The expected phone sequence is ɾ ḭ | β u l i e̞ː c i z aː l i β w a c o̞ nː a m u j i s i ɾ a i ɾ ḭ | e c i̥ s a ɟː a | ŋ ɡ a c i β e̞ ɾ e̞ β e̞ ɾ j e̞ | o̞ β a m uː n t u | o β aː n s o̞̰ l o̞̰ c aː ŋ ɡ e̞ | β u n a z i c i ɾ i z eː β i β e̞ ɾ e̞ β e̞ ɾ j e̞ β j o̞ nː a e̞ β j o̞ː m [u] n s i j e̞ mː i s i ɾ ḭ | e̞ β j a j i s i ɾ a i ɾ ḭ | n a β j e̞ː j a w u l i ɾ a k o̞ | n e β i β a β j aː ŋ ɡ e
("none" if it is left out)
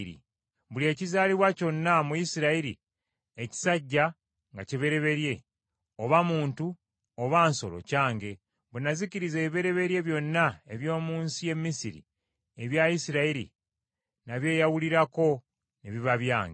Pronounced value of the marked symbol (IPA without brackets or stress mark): uː